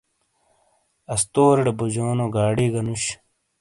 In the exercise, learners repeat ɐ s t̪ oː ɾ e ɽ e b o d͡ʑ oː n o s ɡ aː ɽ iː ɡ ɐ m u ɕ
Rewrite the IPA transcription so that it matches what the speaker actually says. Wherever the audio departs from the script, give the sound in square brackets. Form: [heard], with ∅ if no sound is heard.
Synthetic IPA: ɐ s t̪ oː ɾ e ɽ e b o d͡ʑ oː n o [∅] ɡ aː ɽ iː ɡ ɐ [n] u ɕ